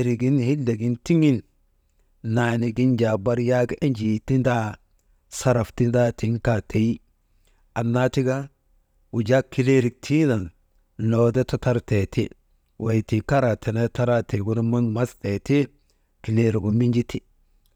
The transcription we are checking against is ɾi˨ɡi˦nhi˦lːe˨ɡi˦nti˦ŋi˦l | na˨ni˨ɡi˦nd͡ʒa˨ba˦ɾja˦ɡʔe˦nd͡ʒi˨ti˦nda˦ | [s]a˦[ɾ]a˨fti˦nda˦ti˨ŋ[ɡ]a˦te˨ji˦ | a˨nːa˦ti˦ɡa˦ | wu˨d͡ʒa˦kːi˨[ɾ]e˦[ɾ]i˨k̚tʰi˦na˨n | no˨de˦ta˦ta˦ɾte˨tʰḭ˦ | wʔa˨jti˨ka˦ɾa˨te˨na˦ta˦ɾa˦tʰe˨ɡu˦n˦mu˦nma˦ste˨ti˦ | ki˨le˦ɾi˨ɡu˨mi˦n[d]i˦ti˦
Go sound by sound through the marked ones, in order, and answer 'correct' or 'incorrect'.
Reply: correct, correct, incorrect: k, incorrect: l, correct, incorrect: d͡ʒ

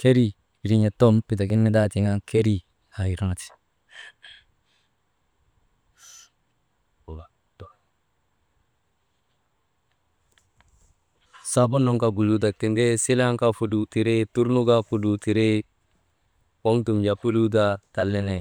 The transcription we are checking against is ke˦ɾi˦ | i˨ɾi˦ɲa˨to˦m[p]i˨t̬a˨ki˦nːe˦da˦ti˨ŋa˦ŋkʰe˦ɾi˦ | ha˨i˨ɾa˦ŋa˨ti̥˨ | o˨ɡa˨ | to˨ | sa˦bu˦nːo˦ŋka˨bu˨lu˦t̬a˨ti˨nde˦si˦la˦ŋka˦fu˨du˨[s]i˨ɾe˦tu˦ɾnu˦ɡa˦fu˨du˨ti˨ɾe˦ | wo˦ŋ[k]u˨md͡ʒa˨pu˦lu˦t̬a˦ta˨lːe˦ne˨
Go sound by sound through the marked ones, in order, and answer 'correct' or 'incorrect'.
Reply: correct, incorrect: t, incorrect: t

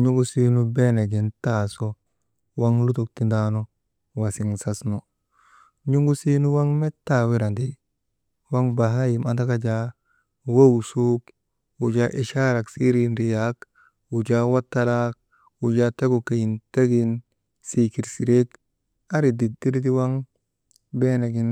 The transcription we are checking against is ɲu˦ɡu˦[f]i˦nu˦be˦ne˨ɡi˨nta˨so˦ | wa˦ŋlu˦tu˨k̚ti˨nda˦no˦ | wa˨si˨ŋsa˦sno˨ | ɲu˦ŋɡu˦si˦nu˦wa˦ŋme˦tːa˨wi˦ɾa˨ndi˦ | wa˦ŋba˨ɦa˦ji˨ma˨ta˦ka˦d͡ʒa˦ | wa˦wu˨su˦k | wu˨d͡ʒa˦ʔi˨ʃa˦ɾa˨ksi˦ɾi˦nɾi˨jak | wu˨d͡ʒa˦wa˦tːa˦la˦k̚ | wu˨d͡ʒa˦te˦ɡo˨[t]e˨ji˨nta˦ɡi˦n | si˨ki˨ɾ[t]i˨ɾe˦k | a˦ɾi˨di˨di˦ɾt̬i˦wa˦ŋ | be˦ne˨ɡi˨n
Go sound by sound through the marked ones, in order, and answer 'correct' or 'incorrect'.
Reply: incorrect: s, incorrect: k, incorrect: s

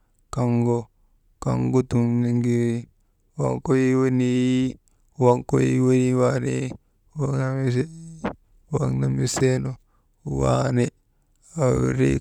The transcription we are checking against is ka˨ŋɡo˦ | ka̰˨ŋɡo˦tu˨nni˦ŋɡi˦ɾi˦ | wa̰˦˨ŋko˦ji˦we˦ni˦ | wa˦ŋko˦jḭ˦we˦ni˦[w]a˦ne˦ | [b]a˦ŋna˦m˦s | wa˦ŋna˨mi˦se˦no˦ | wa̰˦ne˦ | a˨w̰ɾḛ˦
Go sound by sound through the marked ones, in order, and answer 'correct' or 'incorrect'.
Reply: correct, incorrect: w

